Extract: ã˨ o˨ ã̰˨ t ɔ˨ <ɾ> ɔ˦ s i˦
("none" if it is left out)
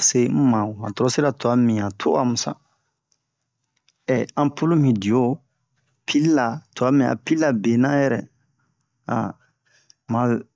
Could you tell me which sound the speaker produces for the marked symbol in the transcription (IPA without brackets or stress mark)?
ɾ